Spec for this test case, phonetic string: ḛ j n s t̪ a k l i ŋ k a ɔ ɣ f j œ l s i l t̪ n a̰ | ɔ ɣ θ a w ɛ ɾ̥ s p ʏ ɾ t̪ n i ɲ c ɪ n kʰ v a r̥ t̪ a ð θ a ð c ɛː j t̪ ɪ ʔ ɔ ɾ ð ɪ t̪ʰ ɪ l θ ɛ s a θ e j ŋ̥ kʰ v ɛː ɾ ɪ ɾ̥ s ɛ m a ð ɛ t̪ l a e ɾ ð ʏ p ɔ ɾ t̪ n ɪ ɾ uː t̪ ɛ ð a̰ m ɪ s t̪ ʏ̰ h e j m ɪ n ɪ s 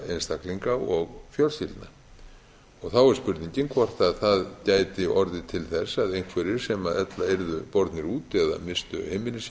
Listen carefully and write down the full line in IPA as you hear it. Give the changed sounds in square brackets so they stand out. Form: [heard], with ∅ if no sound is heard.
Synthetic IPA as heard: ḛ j n s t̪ a k l i ŋ k a ɔ ɣ f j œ l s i l t̪ n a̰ | ɔ ɣ θ a w ɛ ɾ̥ s p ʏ ɾ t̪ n i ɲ c ɪ n kʰ v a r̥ t̪ a ð θ a ð c [aː] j t̪ ɪ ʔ ɔ ɾ ð ɪ t̪ʰ ɪ l θ ɛ s a [ð] e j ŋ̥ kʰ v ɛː ɾ ɪ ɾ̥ s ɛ m a ð ɛ t̪ l a e ɾ ð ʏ p ɔ ɾ t̪ n ɪ ɾ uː t̪ ɛ ð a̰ m ɪ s t̪ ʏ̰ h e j m ɪ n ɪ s

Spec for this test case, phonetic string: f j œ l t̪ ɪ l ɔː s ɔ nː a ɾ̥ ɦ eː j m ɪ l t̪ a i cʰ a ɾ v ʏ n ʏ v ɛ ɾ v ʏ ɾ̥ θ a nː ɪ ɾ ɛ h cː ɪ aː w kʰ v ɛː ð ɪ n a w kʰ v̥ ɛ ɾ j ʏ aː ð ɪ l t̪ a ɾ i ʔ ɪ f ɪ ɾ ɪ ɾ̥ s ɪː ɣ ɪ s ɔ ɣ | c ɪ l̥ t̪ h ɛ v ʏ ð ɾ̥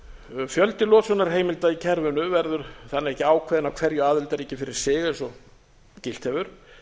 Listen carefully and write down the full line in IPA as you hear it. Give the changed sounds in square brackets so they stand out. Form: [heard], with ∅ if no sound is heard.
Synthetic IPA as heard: f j œ l t̪ ɪ l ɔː s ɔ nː a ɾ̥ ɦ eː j m ɪ l t̪ a i cʰ [ɛ] ɾ v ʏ n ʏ v ɛ ɾ [ð] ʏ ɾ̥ θ a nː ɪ ɾ ɛ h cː ɪ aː w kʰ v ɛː ð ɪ n a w kʰ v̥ ɛ ɾ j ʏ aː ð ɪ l t̪ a ɾ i [c] ɪ f ɪ ɾ ɪ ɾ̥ s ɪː ɣ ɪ s ɔ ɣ | c ɪ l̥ t̪ h ɛ v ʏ [∅] ɾ̥

